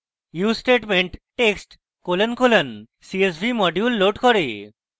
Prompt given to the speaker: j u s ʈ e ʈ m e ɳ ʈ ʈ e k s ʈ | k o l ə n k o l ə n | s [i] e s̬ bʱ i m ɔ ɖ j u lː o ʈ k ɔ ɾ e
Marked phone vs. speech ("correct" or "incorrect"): correct